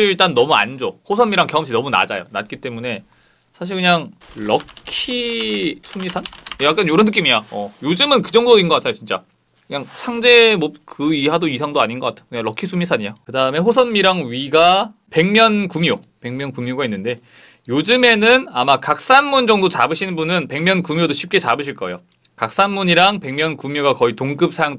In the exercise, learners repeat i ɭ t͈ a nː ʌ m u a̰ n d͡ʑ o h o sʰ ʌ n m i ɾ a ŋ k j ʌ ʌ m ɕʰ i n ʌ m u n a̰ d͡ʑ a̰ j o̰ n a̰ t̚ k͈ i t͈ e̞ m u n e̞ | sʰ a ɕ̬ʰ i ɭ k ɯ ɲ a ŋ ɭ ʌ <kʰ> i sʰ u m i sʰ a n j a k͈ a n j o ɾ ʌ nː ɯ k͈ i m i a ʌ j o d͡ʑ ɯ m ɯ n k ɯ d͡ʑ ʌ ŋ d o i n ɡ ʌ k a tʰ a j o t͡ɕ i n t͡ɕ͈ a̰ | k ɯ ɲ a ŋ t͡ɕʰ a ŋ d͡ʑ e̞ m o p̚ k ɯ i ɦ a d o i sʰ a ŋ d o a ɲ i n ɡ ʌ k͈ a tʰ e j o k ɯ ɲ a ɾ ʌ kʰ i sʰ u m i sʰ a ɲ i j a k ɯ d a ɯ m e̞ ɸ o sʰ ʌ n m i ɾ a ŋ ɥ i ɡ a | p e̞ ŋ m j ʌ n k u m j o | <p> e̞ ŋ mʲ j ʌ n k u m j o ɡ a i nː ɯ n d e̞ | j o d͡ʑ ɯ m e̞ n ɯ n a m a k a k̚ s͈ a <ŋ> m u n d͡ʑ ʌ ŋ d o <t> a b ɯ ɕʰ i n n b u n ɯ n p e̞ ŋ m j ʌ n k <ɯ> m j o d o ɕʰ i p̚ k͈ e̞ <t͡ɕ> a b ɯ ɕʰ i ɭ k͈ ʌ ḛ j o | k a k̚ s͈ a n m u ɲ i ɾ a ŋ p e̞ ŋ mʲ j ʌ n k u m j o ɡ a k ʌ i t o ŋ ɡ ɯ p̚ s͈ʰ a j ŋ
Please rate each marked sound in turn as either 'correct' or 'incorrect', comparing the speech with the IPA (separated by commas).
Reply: correct, correct, incorrect, incorrect, incorrect, correct